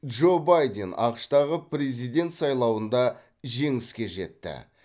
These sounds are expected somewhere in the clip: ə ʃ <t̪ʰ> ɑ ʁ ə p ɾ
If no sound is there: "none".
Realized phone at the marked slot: t̪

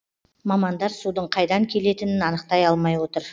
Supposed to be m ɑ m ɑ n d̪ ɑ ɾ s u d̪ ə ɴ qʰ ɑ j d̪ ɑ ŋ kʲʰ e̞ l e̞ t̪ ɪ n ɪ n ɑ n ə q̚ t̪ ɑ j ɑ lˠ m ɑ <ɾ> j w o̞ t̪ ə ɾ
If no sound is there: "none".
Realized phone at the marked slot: none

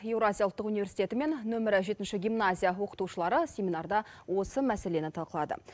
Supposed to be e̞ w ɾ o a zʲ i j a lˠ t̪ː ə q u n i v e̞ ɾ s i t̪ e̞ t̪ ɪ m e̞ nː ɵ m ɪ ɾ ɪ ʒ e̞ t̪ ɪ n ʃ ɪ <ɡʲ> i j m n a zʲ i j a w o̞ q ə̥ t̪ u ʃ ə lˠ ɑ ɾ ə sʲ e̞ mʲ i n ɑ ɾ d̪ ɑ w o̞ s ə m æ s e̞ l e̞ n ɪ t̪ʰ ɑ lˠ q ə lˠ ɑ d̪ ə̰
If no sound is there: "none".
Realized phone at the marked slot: ɡʲ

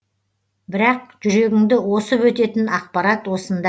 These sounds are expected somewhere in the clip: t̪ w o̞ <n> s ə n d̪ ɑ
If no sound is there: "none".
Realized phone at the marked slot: none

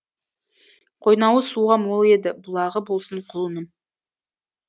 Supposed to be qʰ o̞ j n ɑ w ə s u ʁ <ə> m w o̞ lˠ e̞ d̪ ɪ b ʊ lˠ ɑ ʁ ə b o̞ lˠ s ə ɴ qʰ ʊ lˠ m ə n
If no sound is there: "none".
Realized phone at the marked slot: ɑ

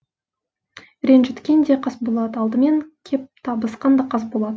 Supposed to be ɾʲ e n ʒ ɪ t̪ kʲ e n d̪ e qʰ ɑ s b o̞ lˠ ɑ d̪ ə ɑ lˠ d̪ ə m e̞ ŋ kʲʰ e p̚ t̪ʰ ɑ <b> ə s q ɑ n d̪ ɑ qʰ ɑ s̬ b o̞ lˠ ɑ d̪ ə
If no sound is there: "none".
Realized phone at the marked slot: b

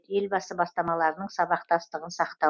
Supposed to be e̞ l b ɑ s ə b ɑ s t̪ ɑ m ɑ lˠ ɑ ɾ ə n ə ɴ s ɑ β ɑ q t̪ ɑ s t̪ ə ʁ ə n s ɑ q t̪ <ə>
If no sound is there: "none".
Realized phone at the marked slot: ɑ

